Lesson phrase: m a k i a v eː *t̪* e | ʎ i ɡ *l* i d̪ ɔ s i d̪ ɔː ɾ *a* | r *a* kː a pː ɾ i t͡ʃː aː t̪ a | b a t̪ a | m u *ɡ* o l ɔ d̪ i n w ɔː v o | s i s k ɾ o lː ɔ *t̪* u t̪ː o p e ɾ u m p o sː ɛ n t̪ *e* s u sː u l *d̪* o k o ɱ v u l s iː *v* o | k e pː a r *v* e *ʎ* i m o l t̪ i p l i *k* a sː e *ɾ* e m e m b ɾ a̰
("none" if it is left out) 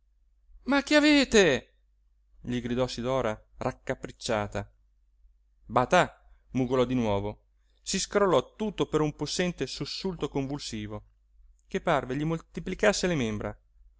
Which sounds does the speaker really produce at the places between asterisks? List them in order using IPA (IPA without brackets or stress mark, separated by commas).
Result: t̪, ɾ, a, a, ɡ, t̪, e, t̪, v, v, ʎ, k, l